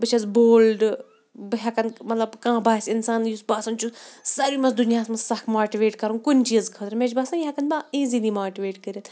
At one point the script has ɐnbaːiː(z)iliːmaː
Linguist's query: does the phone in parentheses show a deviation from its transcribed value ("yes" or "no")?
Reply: no